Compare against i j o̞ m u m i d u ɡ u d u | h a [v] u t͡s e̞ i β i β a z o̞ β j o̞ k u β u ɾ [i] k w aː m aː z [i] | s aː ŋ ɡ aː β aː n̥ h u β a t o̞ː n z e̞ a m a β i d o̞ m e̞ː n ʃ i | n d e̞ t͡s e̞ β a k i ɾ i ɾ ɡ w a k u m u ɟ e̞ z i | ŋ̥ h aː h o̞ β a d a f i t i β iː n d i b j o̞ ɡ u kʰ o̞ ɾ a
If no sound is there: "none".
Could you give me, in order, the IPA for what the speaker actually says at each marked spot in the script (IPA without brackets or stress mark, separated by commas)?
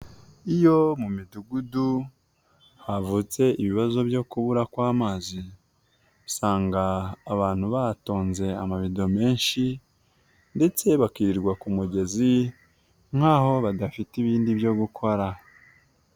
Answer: v, a, i